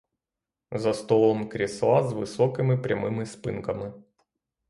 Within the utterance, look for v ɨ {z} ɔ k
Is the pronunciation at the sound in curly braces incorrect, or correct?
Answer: incorrect